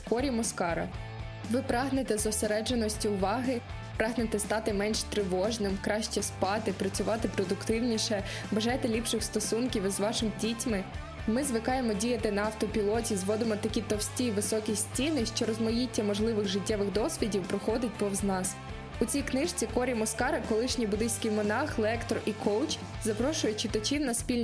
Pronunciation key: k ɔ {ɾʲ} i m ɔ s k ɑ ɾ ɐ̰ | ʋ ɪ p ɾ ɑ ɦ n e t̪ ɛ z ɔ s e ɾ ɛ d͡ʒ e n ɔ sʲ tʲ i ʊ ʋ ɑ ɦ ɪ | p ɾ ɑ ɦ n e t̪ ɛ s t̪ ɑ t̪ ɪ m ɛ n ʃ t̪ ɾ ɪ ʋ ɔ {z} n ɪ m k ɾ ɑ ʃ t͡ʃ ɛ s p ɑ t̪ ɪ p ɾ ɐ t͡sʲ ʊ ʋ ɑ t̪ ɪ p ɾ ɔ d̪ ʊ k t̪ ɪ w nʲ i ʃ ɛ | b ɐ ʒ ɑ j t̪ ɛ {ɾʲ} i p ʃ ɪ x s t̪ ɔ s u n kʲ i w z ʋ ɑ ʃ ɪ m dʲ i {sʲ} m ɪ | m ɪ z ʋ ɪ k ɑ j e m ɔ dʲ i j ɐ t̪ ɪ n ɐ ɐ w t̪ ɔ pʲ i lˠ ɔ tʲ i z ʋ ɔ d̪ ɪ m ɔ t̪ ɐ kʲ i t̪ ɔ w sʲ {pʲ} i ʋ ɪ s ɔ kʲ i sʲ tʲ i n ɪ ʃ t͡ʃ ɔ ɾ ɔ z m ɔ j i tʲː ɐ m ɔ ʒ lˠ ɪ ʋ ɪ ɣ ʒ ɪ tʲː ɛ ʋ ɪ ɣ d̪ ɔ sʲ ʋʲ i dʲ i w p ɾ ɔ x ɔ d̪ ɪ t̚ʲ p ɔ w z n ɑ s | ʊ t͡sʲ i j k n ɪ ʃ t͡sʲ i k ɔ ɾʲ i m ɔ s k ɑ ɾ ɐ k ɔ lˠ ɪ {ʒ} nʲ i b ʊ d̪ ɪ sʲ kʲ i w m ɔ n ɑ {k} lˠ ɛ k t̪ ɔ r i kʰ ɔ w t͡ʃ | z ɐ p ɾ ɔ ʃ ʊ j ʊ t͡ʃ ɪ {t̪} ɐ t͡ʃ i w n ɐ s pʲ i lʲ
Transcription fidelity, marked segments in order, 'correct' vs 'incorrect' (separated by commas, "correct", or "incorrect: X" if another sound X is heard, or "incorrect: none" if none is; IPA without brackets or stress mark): correct, incorrect: ʒ, incorrect: lʲ, incorrect: tʲ, incorrect: tʲ, incorrect: ʃ, incorrect: x, correct